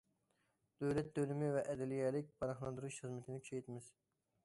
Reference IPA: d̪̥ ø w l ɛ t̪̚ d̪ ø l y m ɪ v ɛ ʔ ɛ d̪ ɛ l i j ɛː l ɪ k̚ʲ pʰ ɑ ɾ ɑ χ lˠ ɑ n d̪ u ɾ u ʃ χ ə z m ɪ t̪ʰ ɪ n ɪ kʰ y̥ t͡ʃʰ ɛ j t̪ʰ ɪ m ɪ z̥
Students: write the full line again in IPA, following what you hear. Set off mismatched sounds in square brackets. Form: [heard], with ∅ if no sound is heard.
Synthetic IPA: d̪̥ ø w l ɛ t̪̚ d̪ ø l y m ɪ v ɛ ʔ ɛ d̪ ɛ l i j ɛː l ɪ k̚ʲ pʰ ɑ ɾ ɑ χ lˠ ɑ n d̪ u ɾ u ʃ χ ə z m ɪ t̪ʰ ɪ n ɪ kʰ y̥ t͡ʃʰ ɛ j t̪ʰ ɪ m ɪ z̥